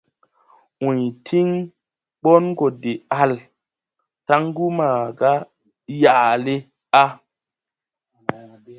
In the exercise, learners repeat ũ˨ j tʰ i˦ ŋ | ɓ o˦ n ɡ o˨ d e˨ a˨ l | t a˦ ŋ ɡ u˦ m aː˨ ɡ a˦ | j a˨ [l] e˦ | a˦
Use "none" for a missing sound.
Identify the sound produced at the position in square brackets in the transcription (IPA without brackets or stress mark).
l